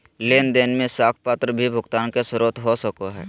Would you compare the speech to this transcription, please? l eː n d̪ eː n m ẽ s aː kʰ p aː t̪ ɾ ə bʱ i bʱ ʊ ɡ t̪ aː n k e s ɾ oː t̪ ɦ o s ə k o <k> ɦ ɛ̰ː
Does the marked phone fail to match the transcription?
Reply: yes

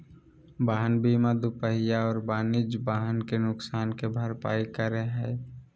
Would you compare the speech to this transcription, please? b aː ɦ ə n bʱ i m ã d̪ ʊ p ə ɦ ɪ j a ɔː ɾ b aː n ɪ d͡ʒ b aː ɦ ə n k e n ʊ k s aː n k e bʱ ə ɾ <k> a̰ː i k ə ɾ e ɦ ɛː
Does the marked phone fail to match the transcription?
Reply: yes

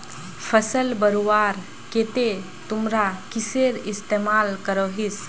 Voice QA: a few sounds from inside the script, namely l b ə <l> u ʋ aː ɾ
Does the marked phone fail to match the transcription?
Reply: yes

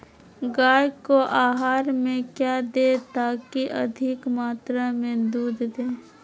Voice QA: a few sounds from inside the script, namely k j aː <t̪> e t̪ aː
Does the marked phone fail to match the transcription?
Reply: yes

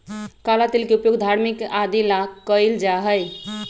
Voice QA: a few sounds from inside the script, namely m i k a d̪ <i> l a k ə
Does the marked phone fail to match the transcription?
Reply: no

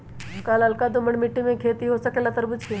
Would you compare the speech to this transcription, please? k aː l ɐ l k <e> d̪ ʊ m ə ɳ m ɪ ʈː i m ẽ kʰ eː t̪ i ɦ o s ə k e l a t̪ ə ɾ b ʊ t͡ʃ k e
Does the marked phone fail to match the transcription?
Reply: yes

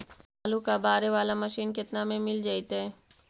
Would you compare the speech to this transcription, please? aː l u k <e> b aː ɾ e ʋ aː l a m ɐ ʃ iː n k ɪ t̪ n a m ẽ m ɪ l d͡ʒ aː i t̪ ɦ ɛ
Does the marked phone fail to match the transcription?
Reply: yes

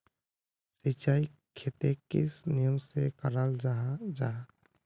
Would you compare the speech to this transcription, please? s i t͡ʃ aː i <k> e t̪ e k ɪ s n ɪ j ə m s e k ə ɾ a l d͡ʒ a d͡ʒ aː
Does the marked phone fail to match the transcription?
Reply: yes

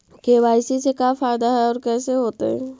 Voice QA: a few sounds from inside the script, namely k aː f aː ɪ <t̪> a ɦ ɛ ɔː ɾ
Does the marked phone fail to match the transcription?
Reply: yes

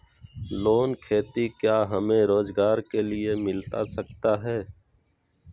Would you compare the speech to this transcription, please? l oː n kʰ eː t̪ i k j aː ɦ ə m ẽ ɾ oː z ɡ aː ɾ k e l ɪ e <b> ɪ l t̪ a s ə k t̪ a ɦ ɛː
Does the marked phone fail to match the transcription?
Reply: yes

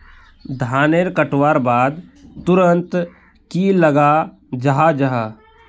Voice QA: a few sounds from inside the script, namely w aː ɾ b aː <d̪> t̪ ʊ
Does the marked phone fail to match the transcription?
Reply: no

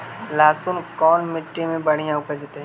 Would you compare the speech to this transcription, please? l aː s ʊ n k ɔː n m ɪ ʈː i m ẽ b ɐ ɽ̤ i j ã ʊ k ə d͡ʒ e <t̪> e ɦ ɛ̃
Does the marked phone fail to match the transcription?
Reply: no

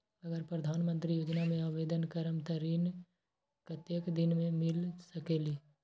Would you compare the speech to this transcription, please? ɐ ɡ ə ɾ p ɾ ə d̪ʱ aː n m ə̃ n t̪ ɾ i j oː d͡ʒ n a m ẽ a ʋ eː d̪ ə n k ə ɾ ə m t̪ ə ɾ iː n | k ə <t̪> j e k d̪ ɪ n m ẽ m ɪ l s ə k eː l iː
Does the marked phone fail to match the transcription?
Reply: no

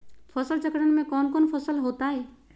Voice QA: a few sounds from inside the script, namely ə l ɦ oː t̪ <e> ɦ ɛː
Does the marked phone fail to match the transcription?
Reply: yes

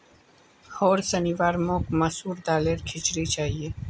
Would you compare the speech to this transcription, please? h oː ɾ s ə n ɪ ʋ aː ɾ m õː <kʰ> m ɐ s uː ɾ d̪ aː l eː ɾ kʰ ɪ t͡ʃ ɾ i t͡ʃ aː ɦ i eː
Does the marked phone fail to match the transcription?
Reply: yes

